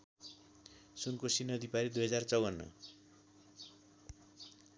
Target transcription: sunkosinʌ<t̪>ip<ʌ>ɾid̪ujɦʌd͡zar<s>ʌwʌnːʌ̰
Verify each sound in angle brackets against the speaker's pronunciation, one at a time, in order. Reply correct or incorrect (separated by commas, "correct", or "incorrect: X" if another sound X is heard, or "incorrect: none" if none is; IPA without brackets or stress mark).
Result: incorrect: d̪, incorrect: a, incorrect: t͡s